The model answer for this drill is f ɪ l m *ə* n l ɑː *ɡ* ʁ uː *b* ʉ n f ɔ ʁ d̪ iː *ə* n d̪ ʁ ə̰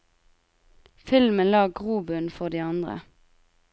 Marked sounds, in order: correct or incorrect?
correct, correct, correct, incorrect: ɑ

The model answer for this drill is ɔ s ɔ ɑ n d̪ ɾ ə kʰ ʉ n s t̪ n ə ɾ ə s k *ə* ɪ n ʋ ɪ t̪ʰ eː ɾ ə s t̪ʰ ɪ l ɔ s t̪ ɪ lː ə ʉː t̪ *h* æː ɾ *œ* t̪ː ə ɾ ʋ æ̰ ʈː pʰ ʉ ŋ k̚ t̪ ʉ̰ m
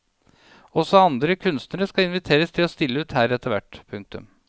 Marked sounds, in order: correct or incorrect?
incorrect: ɑ, correct, incorrect: ɛ

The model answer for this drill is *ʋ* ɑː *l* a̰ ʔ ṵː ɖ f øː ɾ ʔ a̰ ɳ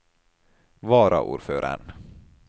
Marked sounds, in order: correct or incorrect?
incorrect: v, incorrect: ɾ

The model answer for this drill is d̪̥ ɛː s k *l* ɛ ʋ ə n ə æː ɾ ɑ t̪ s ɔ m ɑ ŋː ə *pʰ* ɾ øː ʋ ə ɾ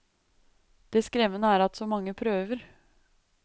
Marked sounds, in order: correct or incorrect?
incorrect: ɾ, correct

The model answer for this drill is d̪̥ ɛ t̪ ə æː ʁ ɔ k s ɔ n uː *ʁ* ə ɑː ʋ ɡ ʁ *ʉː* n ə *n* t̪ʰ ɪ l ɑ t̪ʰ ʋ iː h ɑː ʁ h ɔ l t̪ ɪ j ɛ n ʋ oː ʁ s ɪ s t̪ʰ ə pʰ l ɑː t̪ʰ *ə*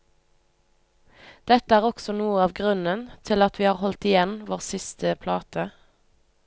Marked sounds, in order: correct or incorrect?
incorrect: none, incorrect: ʉ, correct, correct

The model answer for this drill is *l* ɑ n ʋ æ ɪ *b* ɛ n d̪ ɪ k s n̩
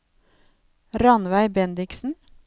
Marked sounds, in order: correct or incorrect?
incorrect: ɾ, correct

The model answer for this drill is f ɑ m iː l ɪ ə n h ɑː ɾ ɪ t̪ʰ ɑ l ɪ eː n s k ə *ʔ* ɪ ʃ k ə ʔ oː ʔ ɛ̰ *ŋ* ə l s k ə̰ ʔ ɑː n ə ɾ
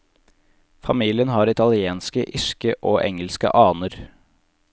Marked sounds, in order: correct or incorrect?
correct, correct

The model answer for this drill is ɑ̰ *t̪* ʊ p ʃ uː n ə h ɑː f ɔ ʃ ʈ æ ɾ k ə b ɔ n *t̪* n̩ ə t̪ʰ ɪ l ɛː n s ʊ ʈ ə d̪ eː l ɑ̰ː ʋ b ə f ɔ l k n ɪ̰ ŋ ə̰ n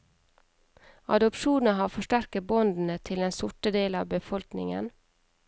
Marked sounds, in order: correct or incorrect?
incorrect: d̪, incorrect: d̪

